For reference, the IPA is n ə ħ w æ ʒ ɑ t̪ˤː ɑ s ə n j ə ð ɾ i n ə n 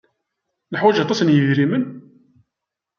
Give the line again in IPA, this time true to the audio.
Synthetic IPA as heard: n ə ħ w æ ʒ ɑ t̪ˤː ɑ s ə n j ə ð ɾ i m ə n